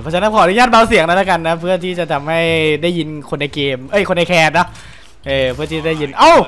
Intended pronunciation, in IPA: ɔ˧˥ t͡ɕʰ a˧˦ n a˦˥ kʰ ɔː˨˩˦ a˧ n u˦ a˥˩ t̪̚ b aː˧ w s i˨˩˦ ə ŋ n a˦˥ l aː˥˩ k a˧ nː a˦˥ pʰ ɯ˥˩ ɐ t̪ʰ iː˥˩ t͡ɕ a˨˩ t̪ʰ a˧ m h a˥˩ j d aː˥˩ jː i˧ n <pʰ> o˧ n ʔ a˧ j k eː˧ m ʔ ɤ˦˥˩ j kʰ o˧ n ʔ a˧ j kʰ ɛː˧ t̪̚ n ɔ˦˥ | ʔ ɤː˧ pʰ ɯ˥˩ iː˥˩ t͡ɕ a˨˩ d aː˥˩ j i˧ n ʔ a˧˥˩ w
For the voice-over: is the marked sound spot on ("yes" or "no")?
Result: no